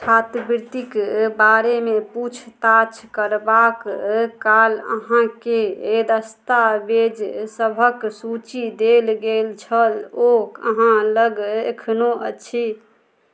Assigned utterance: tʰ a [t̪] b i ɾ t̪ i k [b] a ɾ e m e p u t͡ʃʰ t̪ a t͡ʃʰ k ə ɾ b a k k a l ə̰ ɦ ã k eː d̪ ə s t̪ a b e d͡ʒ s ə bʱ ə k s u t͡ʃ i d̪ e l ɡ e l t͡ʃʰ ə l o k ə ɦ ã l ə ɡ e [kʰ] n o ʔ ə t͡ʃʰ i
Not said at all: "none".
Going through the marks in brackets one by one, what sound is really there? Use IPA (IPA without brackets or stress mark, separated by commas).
t̪, b, kʰ